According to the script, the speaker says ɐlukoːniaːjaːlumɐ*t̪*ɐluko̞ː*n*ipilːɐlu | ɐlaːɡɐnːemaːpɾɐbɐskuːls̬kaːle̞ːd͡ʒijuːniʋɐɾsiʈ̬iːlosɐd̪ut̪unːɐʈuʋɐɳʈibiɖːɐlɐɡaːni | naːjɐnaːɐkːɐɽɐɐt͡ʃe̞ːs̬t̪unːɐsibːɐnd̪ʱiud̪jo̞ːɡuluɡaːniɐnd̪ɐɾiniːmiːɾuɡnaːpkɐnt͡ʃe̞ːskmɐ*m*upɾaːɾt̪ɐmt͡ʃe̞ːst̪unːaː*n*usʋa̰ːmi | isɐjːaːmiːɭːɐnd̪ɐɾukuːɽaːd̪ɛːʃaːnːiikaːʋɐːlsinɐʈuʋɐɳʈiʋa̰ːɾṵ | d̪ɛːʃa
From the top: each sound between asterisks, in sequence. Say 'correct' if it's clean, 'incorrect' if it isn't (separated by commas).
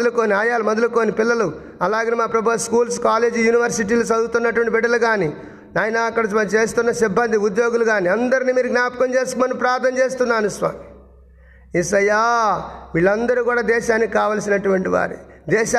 incorrect, correct, incorrect, correct